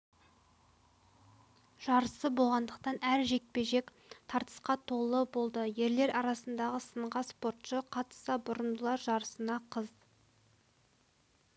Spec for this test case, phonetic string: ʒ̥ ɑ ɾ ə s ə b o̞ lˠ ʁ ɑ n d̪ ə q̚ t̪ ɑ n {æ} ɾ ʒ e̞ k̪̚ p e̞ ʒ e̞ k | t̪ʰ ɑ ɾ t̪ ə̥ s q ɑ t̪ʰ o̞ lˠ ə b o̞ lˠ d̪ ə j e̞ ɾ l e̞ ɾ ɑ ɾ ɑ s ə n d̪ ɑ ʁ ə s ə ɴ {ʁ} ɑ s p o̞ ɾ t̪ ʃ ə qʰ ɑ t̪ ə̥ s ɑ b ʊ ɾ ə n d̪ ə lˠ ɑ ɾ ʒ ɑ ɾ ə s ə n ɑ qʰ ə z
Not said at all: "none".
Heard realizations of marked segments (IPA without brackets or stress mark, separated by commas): æ, ʁ